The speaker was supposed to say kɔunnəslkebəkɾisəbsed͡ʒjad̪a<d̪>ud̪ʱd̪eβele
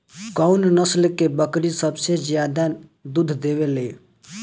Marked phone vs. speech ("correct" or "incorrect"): correct